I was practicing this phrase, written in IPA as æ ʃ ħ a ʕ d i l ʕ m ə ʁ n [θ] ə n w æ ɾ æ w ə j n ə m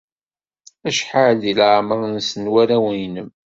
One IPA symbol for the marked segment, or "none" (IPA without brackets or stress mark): s